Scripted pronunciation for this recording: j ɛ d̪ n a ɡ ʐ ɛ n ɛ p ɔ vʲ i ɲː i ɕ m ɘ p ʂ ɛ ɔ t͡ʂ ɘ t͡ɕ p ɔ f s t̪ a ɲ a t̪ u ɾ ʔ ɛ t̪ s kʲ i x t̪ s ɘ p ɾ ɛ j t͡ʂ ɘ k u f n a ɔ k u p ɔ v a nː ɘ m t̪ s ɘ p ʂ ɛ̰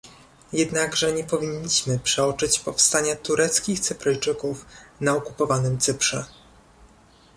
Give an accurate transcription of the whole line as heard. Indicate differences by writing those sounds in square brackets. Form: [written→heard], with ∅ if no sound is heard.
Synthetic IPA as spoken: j ɛ d̪ n a ɡ ʐ ɛ [n→ɲ] ɛ p ɔ vʲ i ɲː i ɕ m ɘ p ʂ ɛ ɔ t͡ʂ ɘ t͡ɕ p ɔ f s t̪ a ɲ a t̪ u ɾ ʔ ɛ t̪ s kʲ i x t̪ s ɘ p ɾ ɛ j t͡ʂ ɘ k u f n a ɔ k u p ɔ v a [nː→n] ɘ m t̪ s ɘ p ʂ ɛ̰